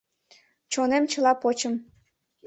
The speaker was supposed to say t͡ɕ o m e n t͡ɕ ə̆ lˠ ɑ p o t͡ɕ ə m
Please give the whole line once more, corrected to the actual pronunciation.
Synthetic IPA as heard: t͡ɕ o n e m t͡ɕ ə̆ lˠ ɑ p o t͡ɕ ə m

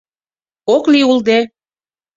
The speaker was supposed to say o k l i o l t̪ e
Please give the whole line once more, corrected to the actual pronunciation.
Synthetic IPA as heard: o k l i u l d̪ e

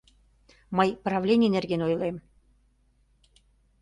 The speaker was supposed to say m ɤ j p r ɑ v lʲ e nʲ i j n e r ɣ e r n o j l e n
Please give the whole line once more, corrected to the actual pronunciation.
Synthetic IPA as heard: m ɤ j p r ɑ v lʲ e nʲ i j n e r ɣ e n o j l e m

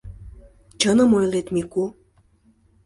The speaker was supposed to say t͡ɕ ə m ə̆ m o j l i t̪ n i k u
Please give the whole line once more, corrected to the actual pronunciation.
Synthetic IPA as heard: t͡ɕ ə n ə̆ m o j l e t̪ m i k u

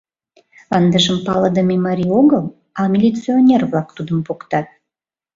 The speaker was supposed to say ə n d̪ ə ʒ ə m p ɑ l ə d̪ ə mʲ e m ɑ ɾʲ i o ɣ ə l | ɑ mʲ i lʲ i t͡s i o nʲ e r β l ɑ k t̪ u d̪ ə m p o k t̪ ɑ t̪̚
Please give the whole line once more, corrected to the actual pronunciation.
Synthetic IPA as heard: ɑ n d̪ ə ʒ ə m p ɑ l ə d̪ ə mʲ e m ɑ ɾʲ i o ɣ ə l | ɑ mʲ i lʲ i t͡s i o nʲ e r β l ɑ k t̪ u d̪ ə m p o k t̪ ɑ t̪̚

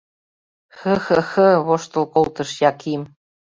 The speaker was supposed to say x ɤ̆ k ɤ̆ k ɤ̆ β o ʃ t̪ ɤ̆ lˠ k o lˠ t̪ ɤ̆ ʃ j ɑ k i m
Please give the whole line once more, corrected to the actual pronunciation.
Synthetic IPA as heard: x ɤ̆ x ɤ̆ x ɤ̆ β o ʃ t̪ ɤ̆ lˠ k o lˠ t̪ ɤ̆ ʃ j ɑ k i m

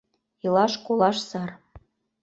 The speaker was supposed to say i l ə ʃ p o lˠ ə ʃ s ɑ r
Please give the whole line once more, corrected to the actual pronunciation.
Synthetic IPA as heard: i l ɑ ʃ k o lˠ ɑ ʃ s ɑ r

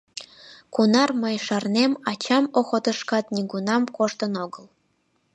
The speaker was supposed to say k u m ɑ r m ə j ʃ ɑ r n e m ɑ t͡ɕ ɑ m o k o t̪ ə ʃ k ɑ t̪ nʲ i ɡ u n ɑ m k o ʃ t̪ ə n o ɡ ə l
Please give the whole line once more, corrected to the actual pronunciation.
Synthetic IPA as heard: k u n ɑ r m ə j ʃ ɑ r n e m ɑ t͡ɕ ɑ m o x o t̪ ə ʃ k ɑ t̪ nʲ i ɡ u n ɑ m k o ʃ t̪ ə n o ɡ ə l

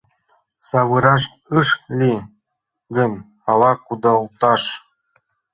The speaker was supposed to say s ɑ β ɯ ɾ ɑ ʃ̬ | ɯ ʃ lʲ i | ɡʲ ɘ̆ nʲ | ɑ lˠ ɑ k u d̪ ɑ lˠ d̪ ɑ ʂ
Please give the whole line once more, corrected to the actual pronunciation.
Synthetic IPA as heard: s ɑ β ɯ ɾ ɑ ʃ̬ | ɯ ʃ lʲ i | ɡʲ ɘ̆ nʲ | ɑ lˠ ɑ k u d̪ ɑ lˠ t̪ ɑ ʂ

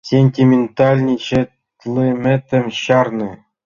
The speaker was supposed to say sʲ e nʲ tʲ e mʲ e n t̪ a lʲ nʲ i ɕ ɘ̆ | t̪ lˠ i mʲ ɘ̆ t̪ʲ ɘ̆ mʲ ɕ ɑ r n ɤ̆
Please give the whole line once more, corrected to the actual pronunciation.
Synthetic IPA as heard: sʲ e nʲ tʲ i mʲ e n t̪ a lʲ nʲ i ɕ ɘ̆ | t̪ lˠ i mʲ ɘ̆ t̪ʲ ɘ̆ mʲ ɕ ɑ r n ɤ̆

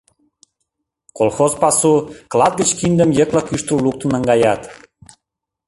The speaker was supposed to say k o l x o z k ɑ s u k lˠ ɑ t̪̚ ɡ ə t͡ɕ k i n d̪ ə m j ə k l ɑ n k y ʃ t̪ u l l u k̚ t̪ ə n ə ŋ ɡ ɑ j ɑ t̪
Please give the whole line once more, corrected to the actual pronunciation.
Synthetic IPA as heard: k o l x o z p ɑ s u k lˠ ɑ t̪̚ ɡ ə t͡ɕ k i n d̪ ə m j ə k l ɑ k y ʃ t̪ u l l u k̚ t̪ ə n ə ŋ ɡ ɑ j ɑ t̪

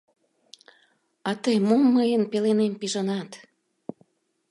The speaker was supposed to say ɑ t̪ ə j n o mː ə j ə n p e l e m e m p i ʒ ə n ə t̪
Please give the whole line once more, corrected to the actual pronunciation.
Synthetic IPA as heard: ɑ t̪ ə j m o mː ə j ə n p e l e n e m p i ʒ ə n ɑ t̪

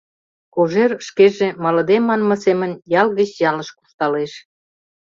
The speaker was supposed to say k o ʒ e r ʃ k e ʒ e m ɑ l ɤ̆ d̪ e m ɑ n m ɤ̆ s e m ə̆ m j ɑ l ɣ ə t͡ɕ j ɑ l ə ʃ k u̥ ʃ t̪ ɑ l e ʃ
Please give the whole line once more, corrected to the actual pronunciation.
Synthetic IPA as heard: k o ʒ e r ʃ k e ʒ e m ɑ l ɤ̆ d̪ e m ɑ n m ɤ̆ s e m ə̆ n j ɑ l ɣ ə t͡ɕ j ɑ l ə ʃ k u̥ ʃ t̪ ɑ l e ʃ

